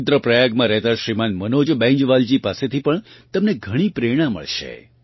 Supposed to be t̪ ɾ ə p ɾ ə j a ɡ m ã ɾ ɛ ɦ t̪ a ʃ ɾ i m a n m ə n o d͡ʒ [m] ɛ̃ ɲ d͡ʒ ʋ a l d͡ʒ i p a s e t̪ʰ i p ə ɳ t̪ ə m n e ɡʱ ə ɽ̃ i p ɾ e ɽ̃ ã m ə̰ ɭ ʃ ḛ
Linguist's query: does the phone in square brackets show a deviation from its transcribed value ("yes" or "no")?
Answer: yes